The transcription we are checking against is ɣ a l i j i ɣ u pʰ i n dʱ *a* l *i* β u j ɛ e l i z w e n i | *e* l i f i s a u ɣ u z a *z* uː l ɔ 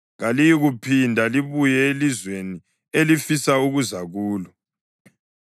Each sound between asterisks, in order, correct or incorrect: correct, correct, correct, incorrect: ɣ

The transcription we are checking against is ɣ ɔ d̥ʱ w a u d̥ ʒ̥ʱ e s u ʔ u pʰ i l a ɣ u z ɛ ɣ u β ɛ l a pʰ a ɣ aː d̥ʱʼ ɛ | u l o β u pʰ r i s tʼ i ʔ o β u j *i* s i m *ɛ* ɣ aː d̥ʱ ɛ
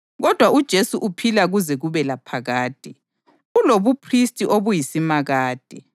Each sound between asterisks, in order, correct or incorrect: correct, incorrect: a

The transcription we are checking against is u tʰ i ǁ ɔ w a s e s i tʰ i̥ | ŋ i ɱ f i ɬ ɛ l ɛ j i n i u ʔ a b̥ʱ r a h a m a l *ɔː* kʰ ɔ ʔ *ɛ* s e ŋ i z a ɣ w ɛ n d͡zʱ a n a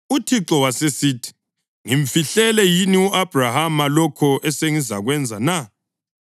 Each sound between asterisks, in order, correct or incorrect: incorrect: ɔ, correct

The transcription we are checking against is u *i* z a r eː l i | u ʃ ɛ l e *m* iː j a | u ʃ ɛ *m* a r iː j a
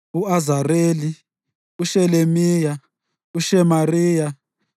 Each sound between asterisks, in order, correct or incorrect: incorrect: a, correct, correct

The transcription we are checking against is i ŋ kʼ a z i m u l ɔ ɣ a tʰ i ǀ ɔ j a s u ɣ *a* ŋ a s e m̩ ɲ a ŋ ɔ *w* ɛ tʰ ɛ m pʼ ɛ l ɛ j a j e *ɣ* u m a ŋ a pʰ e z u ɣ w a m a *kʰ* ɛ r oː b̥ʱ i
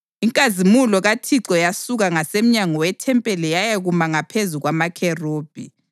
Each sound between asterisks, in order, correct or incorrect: correct, correct, correct, correct

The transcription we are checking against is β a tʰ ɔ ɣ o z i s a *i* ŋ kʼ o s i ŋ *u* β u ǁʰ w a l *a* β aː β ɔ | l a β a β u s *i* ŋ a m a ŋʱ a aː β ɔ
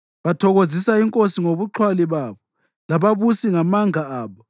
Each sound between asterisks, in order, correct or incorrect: correct, incorrect: o, incorrect: i, correct

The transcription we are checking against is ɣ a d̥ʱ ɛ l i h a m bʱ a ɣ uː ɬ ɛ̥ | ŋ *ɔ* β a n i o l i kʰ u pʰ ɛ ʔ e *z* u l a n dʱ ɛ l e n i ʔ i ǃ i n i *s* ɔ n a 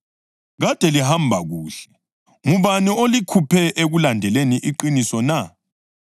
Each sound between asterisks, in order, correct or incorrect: incorrect: u, incorrect: ɣ, correct

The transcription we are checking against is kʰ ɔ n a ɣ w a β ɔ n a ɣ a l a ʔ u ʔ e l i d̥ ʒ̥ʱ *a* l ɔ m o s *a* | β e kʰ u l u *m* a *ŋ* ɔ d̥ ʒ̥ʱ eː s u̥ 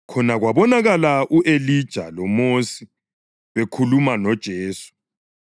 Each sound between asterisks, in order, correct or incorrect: correct, incorrect: i, correct, incorrect: n

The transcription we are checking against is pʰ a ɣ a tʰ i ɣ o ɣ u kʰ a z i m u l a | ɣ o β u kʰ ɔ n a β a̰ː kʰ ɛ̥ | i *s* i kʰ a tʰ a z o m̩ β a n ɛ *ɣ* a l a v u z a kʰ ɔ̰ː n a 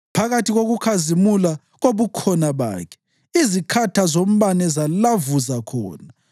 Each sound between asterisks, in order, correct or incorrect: incorrect: z, incorrect: z

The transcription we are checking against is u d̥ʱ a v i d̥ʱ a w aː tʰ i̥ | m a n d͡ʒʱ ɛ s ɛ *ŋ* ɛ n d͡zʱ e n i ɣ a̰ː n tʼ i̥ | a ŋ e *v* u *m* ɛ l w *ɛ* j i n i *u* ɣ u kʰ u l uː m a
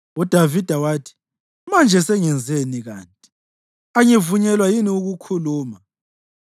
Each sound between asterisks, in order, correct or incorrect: correct, correct, incorrect: ɲ, incorrect: a, correct

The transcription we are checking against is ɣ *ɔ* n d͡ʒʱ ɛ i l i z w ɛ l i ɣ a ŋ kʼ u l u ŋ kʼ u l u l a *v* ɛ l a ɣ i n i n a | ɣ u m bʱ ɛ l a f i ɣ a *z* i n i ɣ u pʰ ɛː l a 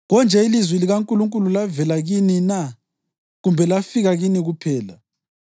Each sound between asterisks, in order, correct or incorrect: correct, correct, incorrect: ɣ

